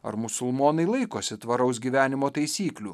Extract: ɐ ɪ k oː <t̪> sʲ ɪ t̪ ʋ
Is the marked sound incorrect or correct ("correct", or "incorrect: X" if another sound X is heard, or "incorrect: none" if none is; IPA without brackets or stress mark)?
incorrect: none